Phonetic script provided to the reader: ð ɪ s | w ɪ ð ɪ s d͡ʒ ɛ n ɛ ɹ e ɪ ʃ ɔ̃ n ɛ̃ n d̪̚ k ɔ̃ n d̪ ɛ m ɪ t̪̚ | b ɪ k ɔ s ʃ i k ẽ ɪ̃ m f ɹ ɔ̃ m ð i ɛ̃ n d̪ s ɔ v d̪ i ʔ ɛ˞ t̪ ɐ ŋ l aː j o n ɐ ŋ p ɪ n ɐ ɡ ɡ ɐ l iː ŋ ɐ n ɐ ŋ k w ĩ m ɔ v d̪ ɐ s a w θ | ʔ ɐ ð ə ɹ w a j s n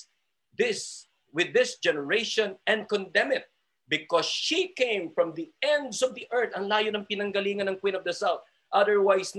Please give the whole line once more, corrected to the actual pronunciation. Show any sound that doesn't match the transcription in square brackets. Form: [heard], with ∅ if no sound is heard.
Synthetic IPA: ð ɪ s | w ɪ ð ɪ s d͡ʒ ɛ n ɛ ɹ e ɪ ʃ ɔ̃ n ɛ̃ n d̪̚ k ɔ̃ n d̪ ɛ m ɪ t̪̚ | b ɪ k ɔ s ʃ i k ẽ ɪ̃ m f ɹ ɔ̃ m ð i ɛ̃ n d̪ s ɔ v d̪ i ʔ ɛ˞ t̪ ɐ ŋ l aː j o n ɐ ŋ p ɪ n ɐ [ŋ] ɡ ɐ l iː ŋ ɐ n ɐ ŋ k w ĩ [n] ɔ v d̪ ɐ s a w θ | ʔ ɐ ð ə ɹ w a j s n